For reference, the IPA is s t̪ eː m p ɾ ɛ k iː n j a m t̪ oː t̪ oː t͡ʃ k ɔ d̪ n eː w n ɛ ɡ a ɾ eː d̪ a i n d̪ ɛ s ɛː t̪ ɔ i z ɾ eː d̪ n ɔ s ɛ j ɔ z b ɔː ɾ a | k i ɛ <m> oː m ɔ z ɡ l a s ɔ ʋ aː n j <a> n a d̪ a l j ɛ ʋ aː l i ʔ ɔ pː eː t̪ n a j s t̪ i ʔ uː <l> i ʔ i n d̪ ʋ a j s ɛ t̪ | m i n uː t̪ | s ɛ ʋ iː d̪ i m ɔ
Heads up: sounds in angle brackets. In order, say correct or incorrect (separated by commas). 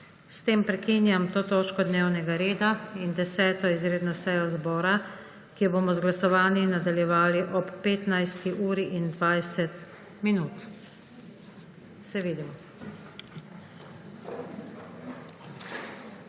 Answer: incorrect, incorrect, incorrect